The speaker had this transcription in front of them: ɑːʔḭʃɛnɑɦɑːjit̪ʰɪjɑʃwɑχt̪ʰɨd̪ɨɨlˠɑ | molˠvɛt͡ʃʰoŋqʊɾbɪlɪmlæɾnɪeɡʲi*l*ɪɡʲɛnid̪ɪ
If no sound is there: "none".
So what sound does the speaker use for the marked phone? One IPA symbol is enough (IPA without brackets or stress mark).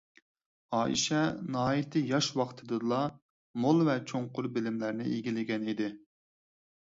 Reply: l